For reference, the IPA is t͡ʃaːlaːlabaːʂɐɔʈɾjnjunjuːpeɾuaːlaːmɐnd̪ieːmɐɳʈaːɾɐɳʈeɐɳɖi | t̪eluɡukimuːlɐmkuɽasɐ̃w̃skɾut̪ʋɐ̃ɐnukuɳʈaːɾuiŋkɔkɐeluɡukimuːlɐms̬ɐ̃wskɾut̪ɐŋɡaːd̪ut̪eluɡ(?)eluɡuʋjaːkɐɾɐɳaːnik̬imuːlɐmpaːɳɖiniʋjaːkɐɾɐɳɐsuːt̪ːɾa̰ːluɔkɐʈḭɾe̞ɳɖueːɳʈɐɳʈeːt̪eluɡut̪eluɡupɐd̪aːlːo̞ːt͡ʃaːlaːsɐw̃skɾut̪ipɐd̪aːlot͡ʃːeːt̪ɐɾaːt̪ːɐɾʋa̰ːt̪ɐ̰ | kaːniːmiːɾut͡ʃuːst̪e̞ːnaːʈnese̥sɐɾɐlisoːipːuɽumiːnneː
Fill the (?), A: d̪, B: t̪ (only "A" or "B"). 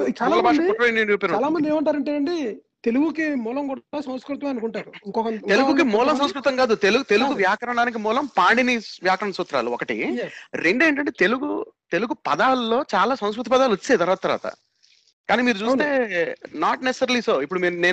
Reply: B